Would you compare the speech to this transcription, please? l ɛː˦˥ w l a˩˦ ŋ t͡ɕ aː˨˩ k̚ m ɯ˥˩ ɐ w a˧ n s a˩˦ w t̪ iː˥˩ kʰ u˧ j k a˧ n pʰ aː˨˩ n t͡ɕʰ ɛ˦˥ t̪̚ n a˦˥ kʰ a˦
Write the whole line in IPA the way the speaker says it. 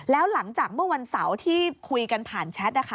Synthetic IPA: l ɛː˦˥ w l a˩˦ ŋ t͡ɕ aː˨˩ k̚ m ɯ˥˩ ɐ w a˧ n s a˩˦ w t̪ʰ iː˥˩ kʰ u˧ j k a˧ n pʰ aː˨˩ n t͡ɕʰ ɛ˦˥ t̪̚ n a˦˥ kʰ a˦